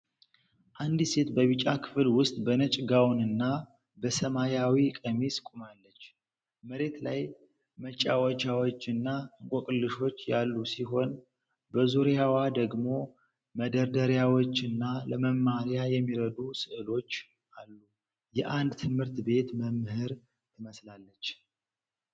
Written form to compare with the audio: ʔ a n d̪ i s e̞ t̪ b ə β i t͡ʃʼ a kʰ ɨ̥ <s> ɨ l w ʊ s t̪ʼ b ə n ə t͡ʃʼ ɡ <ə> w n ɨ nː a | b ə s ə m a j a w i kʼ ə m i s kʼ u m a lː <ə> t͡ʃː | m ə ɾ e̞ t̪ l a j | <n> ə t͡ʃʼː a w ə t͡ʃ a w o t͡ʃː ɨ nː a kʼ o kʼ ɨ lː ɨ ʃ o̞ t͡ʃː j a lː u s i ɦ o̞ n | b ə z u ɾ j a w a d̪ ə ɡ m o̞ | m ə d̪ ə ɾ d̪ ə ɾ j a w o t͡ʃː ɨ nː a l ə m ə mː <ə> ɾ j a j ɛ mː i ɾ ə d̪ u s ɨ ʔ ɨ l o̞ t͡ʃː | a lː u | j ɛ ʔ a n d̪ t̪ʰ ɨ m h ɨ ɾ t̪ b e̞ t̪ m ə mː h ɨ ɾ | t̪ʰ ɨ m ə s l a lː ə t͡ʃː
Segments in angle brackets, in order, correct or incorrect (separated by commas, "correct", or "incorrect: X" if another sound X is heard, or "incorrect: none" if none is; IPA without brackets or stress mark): incorrect: f, incorrect: a, correct, incorrect: m, incorrect: a